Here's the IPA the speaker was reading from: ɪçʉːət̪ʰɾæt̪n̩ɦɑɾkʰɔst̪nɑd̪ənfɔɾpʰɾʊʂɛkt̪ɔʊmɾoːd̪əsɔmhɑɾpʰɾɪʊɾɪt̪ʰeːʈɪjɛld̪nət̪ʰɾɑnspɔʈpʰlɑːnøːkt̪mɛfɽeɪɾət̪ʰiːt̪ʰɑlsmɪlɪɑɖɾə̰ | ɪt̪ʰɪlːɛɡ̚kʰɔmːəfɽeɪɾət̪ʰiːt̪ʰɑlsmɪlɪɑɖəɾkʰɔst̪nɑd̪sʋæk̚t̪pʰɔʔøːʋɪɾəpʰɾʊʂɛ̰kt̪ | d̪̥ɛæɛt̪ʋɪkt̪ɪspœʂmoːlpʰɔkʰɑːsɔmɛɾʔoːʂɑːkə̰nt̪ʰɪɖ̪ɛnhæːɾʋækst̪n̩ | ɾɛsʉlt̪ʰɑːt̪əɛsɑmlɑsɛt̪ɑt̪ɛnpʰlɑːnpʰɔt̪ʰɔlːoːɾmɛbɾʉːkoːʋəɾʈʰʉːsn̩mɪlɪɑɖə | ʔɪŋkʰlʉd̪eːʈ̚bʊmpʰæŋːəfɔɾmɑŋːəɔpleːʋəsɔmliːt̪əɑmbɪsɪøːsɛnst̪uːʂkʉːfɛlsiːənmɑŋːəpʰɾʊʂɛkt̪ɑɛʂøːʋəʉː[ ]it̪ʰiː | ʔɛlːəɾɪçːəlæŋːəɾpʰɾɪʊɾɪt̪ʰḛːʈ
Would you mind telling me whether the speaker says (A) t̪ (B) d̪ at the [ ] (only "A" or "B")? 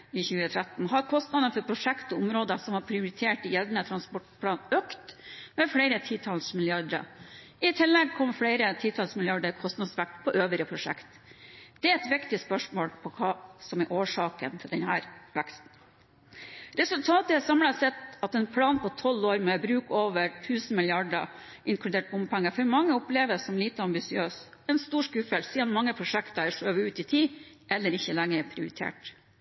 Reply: A